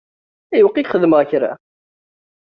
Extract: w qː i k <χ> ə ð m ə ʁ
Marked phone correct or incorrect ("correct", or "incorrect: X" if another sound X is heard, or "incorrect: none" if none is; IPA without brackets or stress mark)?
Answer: correct